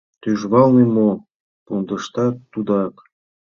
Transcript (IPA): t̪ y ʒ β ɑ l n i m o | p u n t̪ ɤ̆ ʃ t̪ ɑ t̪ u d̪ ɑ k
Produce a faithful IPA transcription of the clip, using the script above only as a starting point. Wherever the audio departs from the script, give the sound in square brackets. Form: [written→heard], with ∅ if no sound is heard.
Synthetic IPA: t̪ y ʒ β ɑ l n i m o | p u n [t̪→d̪] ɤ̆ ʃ t̪ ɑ t̪ u d̪ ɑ k